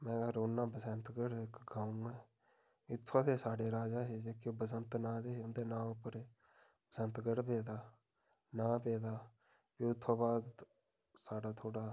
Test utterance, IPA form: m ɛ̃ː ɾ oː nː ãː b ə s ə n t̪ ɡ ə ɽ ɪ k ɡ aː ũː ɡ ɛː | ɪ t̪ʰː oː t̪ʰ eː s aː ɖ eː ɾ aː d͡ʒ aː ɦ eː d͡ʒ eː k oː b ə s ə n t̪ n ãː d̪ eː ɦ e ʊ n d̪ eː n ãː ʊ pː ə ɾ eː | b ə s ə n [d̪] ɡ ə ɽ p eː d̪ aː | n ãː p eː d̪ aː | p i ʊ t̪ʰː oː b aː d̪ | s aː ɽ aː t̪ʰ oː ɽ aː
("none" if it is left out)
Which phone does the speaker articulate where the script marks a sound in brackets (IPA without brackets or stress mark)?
t̪